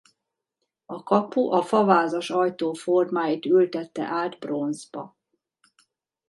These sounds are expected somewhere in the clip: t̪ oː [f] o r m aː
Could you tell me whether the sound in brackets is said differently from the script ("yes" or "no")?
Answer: no